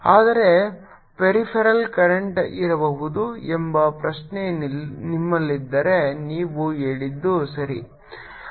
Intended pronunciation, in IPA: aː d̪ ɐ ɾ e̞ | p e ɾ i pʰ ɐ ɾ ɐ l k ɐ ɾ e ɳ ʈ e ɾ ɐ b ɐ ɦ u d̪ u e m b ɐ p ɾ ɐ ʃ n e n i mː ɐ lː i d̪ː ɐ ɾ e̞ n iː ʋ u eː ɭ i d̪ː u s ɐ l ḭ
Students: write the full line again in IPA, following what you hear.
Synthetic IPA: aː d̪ ɐ ɾ e̞ | p e ɾ i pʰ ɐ ɾ ɐ l k ɐ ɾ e ɳ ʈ i ɾ ɐ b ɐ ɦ u d̪ u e m b ɐ p ɾ ɐ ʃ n e n i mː ɐ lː i d̪ː ɐ ɾ e̞ n iː ʋ u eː ɭ i d̪ː u s ɐ ɾ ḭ